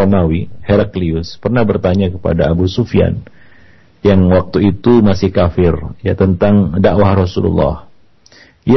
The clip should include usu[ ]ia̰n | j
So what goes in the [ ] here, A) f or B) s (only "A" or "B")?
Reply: A